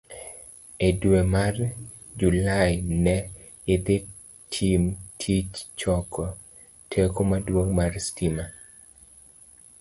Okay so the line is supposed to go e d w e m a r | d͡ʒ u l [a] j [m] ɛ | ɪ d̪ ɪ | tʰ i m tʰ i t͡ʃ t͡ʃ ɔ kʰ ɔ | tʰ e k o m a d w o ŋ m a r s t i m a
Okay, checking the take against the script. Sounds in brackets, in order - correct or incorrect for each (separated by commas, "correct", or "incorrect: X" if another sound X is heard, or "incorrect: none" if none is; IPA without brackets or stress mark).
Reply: correct, incorrect: n